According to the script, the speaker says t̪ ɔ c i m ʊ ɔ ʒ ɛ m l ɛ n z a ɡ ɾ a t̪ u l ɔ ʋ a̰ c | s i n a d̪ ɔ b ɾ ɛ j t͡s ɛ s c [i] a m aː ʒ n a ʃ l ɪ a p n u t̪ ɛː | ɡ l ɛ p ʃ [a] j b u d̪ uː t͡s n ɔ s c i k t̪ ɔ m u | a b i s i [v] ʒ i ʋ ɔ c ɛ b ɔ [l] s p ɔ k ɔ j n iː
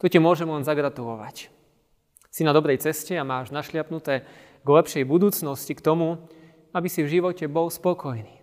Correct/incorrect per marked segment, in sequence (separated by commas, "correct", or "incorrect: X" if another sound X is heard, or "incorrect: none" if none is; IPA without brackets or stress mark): incorrect: ɛ, incorrect: ɛ, correct, correct